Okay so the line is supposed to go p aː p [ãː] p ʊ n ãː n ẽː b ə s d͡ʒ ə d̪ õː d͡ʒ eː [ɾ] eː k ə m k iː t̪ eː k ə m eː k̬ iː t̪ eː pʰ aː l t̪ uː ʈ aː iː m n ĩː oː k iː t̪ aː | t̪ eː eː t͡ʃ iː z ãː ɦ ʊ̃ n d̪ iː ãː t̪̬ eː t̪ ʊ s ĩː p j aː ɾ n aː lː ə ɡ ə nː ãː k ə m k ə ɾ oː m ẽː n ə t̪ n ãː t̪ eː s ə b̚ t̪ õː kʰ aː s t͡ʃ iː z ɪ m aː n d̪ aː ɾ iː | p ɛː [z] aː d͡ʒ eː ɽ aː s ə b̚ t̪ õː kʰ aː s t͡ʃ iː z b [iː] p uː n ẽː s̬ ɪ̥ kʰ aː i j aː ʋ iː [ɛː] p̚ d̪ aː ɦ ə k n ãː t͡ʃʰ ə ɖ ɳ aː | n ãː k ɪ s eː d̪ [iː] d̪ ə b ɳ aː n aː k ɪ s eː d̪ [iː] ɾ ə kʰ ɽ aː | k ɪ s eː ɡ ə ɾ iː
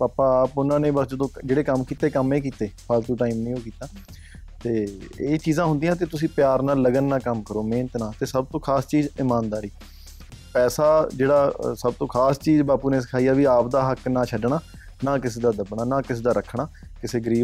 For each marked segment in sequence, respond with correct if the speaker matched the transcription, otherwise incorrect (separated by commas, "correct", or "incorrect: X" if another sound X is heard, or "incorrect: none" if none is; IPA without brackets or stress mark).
incorrect: aː, incorrect: ɽ, incorrect: s, incorrect: aː, incorrect: aː, incorrect: aː, incorrect: aː